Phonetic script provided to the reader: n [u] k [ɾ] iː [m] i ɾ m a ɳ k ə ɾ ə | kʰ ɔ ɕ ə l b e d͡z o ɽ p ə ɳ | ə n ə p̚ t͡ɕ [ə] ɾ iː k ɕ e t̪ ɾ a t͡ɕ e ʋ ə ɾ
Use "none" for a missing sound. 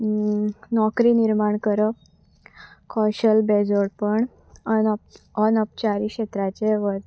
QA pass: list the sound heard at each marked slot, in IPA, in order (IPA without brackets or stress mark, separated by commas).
ɔ, ɾ, n, a